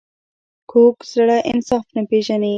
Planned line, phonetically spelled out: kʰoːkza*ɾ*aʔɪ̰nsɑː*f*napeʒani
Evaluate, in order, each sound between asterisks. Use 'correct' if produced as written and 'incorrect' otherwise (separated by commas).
incorrect, correct